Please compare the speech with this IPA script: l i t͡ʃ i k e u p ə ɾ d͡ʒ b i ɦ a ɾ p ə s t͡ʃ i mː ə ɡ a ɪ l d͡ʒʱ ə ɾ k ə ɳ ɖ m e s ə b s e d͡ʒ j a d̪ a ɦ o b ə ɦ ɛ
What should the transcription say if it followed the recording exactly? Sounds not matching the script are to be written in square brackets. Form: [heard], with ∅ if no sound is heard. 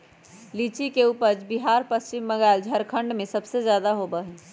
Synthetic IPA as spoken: l i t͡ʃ i k e u p ə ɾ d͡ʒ b i ɦ a ɾ p ə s t͡ʃ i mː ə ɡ a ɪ l d͡ʒʱ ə ɾ [kʰ] ə ɳ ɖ m e s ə b s e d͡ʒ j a d̪ a ɦ o b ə ɦ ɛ